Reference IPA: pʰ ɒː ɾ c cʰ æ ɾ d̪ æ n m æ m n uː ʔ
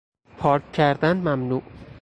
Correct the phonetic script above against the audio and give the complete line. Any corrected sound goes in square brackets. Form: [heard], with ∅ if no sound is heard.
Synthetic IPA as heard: pʰ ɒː ɾ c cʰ æ ɾ d̪ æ n m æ m n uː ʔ